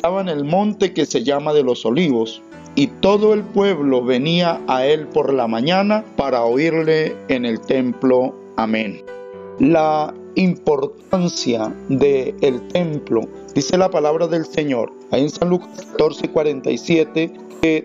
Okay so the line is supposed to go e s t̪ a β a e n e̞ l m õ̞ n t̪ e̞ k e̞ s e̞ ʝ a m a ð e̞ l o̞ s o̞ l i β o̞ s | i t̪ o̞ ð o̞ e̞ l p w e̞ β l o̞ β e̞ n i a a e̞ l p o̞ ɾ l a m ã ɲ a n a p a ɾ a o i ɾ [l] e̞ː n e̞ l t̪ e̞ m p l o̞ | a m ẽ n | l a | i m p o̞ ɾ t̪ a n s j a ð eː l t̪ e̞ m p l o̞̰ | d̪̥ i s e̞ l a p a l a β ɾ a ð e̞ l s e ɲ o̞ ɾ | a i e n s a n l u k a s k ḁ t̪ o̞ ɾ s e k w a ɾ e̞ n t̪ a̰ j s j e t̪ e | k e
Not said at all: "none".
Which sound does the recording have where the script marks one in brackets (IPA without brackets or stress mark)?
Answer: l